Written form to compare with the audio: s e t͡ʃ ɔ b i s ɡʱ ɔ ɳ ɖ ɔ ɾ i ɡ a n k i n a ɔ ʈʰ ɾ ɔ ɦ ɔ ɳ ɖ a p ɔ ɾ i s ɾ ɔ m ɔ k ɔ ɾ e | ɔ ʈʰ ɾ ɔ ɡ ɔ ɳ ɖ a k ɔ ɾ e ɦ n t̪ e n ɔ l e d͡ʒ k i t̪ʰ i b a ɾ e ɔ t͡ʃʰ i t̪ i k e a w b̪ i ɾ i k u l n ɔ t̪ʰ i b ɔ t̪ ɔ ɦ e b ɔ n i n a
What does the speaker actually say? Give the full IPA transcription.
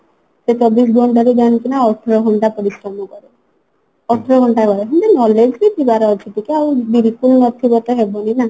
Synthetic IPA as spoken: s e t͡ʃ ɔ b i s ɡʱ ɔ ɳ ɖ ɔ ɾ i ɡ a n k i n a ɔ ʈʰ ɾ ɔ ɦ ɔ ɳ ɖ a p ɔ ɾ i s ɾ ɔ m ɔ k ɔ ɾ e | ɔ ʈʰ ɾ ɔ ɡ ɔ ɳ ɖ a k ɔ ɾ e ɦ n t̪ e n ɔ l e d͡ʒ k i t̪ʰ i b a ɾ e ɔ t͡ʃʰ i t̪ i k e a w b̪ i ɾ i k u l n ɔ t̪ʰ i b ɔ t̪ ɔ ɦ e b ɔ n i n a